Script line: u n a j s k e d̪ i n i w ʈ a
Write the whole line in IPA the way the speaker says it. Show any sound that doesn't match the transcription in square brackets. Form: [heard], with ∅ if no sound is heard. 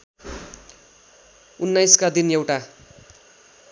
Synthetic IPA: u [nː] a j s k [a] d̪ i n [e] w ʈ a

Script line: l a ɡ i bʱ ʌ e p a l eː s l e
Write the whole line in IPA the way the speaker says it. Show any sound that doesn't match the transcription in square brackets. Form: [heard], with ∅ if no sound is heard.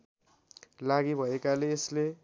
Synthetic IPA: l a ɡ i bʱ ʌ e [k] a l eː s l e

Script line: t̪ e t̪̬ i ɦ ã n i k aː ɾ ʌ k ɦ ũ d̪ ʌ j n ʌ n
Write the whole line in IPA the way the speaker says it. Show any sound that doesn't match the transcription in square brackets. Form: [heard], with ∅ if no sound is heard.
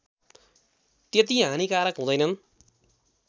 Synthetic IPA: t̪ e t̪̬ i ɦ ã n i k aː ɾ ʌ k ɦ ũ d̪ ʌ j n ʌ n

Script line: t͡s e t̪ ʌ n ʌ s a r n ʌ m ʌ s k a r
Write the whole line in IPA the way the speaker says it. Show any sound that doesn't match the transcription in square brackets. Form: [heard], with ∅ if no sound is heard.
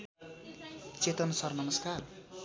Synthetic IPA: t͡s e t̪ ʌ n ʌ s [ʌ] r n ʌ m ʌ s k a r

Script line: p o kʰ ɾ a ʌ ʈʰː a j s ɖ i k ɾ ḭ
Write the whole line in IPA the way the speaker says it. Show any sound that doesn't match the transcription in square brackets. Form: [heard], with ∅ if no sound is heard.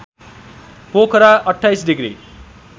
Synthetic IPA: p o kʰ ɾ a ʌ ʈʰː a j s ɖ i [ɡ] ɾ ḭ

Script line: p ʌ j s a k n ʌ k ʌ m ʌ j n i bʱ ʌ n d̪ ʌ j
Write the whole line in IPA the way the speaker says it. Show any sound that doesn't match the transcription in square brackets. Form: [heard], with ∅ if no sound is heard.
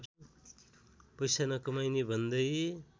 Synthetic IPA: p ʌ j s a [∅] n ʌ k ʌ m [a] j n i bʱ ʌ n d̪ ʌ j

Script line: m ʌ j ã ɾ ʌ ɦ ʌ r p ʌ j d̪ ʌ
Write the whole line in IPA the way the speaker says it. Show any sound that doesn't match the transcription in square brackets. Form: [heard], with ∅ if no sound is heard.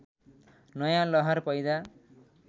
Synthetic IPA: [n] ʌ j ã [l] ʌ ɦ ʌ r p ʌ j d̪ [a]

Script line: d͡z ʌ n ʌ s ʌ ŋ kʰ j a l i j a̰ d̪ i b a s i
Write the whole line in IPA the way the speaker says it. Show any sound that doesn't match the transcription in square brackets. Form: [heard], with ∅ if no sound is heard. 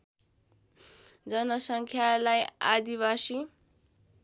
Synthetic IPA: d͡z ʌ n ʌ s ʌ ŋ kʰ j a l [a] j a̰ d̪ i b a s i

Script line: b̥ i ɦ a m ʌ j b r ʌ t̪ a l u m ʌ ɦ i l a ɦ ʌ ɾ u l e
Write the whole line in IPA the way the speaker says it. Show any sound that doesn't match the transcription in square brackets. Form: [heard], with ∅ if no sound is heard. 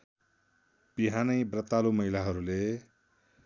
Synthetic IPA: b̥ i ɦ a [n] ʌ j b r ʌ t̪ a l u m ʌ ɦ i l a ɦ ʌ ɾ u l e

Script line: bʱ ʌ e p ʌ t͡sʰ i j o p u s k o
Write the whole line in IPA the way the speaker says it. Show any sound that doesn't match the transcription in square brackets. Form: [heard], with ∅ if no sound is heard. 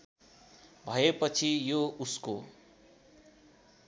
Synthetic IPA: bʱ ʌ e p ʌ t͡sʰ i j o [∅] u s k o

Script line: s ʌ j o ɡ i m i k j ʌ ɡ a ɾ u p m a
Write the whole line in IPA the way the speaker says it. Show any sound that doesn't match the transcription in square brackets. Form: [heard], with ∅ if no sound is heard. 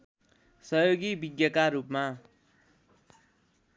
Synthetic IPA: s ʌ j o ɡ i [b] i [ɡ] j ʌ [k] a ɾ u p m a

